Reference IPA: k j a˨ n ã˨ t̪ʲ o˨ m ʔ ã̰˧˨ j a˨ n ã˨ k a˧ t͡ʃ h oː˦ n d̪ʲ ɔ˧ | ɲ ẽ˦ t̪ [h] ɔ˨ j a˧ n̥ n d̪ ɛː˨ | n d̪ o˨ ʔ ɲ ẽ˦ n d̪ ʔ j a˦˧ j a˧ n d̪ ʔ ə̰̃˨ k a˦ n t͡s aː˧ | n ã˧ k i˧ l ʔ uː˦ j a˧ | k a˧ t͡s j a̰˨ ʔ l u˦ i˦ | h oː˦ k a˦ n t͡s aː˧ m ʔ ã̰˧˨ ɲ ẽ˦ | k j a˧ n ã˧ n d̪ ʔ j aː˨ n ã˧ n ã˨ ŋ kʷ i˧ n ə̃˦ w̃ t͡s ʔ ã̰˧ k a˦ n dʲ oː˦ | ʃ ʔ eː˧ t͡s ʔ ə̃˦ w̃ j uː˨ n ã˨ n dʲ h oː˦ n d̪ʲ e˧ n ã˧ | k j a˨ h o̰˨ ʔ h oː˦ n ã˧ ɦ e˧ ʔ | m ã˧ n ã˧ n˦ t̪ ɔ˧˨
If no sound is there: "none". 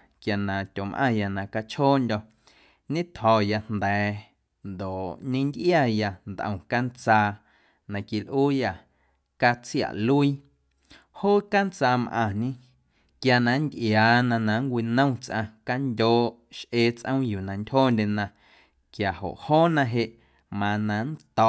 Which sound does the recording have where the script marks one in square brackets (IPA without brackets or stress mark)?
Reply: h